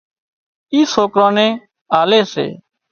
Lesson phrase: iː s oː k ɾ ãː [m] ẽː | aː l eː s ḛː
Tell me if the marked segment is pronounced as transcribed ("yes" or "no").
no